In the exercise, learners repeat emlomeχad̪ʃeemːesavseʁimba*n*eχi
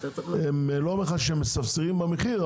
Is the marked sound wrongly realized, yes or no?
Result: yes